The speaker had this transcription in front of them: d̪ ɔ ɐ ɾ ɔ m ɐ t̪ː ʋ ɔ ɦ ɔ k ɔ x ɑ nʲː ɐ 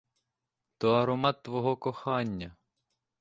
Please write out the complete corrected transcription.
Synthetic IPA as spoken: t̪ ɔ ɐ ɾ ɔ m ɑ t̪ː ʋ ɔ ɦ ɔ k ɔ x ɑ nʲː ɐ